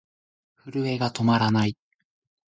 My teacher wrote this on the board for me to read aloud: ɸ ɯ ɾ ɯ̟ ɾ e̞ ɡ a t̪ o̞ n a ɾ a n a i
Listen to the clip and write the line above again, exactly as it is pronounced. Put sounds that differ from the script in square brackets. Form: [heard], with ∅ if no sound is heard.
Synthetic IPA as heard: ɸ ɯ ɾ ɯ̟ [∅] e̞ ɡ a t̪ o̞ [m] a ɾ a n a i

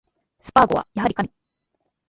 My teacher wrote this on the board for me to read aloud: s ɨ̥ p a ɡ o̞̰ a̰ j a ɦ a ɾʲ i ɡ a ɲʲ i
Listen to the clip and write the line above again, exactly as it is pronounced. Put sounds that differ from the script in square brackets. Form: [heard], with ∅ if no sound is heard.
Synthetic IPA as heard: s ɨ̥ p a ɡ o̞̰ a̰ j a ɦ a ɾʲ i [k] a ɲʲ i

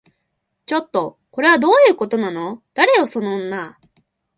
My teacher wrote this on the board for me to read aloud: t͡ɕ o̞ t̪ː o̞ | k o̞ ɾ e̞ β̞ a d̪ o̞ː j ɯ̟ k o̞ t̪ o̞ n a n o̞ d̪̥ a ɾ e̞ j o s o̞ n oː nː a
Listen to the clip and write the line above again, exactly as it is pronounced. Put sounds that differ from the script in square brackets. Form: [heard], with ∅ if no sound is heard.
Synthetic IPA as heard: t͡ɕ o̞ t̪ː o̞ | k o̞ ɾ e̞ β̞ a d̪ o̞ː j [ɯ̟ː] k o̞ t̪ o̞ n a n o̞ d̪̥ a ɾ e̞ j o s o̞ n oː nː a

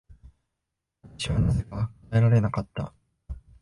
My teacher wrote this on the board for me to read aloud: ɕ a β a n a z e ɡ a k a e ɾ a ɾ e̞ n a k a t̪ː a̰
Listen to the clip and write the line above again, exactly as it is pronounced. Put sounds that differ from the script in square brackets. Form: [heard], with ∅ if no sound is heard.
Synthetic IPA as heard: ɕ [i] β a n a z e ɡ a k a e ɾ a ɾ e̞ n a k a t̪ː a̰

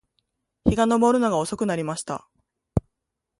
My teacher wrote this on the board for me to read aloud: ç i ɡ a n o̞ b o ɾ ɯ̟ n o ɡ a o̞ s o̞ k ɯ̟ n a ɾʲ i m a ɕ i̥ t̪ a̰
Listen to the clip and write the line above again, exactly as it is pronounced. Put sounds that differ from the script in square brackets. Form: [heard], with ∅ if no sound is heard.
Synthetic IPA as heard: ç i ɡ a n o̞ b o ɾ ɯ̟ n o ɡ a o̞ s o̞ k ɯ̟ n a ɾʲ i m a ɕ i̥ t̪ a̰

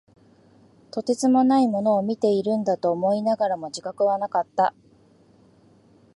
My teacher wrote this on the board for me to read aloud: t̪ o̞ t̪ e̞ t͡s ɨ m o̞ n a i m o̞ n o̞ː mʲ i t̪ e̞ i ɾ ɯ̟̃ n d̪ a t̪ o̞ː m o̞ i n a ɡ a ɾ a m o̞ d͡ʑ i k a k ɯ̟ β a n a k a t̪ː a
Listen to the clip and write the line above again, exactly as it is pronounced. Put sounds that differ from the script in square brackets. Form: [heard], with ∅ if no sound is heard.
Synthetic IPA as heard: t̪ o̞ t̪ e̞ t͡s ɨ m o̞ n a i m o̞ n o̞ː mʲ i t̪ e̞ i ɾ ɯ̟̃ n d̪ a t̪ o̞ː m o̞ i n a ɡ a ɾ a m o̞ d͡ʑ i k a k ɯ̟ β a n a k a t̪ː a

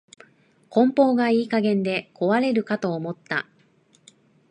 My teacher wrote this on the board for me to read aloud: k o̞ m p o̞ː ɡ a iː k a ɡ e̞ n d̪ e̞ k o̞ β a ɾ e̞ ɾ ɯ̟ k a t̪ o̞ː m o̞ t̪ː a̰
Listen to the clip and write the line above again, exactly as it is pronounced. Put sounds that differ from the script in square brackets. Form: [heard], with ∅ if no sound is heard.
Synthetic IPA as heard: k [õ̞] m p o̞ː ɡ a iː k a ɡ [ẽ̞] n d̪ e̞ k o̞ β a ɾ e̞ ɾ ɯ̟ k a t̪ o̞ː m o̞ t̪ː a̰

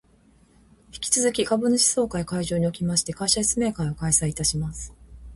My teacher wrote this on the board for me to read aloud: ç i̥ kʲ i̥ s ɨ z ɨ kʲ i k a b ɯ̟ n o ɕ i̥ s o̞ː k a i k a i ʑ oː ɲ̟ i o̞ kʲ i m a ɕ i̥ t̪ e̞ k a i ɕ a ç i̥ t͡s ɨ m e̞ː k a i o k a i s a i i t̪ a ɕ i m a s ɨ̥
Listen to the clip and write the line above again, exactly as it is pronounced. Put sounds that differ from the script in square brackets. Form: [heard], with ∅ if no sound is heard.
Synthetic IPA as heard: ç i̥ kʲ i̥ [t͡s] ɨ z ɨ kʲ i k a b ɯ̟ n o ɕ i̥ s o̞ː k a i k a i ʑ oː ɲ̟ i o̞ kʲ i m a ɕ i̥ t̪ e̞ k a i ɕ a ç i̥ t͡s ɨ m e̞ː k a i o k a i s a i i t̪ a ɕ i m a s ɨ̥

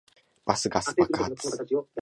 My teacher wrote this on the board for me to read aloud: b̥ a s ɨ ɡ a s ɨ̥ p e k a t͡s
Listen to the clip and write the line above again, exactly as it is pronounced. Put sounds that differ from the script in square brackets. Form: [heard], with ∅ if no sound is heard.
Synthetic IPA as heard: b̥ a s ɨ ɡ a s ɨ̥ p [a] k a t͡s

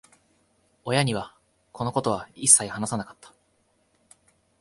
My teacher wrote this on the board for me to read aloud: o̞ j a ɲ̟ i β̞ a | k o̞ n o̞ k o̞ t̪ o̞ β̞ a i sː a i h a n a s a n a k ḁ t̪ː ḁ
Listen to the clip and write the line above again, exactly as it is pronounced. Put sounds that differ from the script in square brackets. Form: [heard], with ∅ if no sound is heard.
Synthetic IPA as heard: o̞ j a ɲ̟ i β̞ a | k o̞ n o̞ k o̞ t̪ o̞ β̞ a i sː a i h a n a s a n a k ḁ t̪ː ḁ

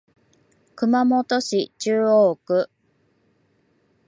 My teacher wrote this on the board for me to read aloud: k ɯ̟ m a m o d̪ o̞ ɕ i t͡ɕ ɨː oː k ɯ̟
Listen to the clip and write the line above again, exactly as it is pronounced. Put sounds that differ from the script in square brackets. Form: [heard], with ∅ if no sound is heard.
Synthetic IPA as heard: k ɯ̟ m a m o [t̪] o̞ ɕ i t͡ɕ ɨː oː k ɯ̟

